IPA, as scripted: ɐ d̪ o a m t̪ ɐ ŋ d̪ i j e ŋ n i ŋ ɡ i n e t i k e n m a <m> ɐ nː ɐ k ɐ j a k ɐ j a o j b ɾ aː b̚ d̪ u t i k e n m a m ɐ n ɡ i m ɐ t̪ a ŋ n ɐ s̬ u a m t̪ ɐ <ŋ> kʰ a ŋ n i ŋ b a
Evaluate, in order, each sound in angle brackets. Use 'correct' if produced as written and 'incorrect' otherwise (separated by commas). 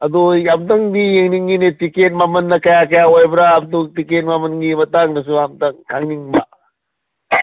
correct, correct